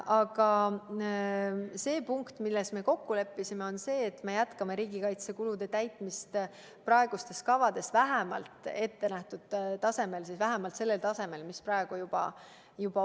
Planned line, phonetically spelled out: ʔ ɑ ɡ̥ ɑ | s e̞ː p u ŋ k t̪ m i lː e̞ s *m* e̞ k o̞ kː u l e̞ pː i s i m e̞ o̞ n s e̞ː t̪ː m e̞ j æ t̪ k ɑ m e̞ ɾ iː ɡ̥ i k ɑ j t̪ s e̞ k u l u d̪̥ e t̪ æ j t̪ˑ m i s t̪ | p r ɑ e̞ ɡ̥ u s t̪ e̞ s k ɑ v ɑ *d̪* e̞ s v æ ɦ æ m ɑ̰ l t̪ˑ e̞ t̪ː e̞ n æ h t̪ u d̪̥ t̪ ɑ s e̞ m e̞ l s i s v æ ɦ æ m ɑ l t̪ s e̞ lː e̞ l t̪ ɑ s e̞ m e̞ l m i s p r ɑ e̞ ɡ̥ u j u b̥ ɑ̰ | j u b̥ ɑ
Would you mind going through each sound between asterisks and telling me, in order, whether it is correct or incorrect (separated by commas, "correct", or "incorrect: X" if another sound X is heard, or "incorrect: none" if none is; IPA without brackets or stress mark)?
correct, correct